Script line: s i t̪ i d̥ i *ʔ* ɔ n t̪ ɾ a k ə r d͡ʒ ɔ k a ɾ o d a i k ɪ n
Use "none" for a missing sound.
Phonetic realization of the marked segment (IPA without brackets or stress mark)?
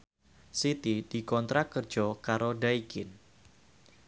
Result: k